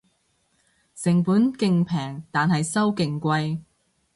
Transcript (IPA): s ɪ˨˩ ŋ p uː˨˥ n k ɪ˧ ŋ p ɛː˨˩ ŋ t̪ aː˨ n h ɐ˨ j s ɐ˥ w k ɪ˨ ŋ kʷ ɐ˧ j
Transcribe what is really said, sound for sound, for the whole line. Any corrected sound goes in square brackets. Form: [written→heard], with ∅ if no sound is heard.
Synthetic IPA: s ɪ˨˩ ŋ p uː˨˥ n k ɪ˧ ŋ [p→pʰ] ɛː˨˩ ŋ t̪ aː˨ n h ɐ˨ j s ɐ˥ w k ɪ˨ ŋ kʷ ɐ˧ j